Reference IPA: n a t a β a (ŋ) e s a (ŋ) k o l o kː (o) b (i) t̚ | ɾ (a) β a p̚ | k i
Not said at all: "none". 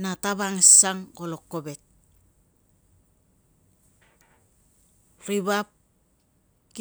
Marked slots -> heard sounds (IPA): ŋ, ŋ, o, e, i

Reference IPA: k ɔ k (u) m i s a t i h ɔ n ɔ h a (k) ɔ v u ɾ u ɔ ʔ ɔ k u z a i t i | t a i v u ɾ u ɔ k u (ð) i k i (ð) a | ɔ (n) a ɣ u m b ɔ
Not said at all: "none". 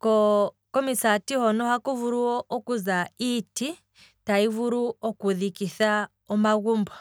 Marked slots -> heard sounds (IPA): ɔ, k, ð, θ, m

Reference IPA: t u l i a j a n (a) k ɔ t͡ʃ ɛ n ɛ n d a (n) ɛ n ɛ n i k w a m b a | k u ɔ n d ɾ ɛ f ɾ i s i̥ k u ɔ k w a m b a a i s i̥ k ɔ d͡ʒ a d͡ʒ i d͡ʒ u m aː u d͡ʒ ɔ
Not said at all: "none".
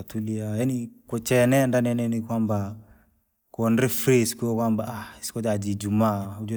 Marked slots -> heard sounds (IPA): i, n

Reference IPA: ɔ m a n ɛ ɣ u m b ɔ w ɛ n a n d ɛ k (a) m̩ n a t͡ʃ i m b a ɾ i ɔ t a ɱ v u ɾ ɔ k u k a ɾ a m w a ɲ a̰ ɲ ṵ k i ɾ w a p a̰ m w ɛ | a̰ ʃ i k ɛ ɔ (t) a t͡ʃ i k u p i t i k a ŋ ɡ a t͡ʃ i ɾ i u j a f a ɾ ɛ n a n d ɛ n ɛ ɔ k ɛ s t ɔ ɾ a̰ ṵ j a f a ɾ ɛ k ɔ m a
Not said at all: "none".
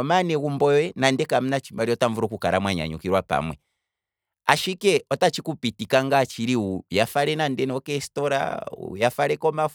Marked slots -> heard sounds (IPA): a, t

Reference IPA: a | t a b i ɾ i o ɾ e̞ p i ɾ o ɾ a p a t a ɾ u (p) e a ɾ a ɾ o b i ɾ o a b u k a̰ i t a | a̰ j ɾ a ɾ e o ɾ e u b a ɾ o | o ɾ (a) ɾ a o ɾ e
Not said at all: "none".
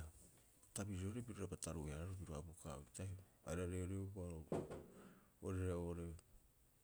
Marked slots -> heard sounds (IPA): none, e

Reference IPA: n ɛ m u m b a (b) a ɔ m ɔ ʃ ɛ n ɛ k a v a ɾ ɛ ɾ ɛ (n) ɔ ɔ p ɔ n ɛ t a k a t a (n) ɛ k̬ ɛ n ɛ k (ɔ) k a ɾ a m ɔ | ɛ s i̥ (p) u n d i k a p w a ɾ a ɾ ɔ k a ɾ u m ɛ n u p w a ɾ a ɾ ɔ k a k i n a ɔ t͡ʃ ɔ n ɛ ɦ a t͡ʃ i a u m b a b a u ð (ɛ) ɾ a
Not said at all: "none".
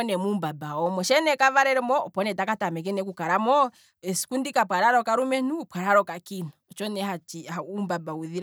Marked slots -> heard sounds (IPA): b, m, m, u, k, i

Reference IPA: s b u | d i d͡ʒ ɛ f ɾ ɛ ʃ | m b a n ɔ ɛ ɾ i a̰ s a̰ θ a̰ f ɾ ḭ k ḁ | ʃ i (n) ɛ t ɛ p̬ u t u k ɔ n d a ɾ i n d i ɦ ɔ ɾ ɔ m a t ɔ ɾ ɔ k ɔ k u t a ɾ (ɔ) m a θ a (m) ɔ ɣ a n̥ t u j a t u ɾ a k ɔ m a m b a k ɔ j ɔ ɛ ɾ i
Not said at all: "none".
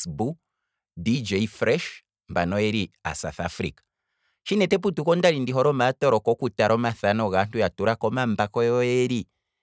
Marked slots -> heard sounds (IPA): n, ɔ, n

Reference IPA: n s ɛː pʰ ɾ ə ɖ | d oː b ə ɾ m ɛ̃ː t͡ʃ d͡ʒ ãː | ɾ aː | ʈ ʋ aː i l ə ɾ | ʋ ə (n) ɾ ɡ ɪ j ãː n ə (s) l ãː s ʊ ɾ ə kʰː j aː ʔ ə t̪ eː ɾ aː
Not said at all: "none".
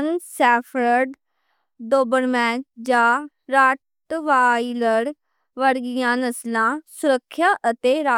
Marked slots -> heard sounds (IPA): none, s

